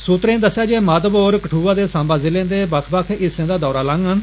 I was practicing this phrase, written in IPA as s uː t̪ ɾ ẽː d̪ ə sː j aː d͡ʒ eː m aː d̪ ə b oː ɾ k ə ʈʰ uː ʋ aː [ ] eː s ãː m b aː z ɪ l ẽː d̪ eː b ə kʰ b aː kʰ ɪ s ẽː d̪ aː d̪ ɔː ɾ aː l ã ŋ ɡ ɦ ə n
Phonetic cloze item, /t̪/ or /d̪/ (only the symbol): d̪